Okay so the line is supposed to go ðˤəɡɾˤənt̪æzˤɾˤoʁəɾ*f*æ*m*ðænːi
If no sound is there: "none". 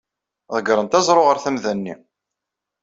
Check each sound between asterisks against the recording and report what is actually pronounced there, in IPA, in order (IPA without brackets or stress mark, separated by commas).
θ, m